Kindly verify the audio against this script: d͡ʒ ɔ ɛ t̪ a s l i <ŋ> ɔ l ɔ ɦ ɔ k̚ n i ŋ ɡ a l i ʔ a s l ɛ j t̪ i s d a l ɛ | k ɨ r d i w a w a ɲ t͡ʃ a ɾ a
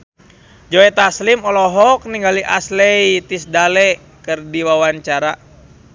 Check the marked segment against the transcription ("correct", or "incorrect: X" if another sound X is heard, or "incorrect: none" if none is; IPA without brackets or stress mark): incorrect: m